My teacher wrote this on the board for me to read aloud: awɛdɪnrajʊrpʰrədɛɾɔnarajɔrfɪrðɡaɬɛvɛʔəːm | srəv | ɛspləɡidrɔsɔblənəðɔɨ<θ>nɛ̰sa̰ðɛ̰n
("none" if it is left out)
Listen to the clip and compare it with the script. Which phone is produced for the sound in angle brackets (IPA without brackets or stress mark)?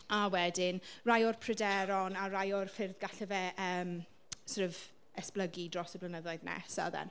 ð